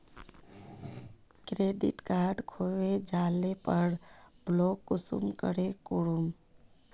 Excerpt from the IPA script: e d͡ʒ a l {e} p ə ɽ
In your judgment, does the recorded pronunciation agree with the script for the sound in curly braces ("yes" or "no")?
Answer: yes